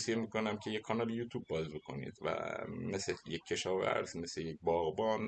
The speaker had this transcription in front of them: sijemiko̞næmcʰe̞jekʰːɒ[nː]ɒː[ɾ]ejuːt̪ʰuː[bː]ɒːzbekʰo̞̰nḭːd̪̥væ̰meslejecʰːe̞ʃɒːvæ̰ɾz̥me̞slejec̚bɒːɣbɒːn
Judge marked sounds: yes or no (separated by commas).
no, no, yes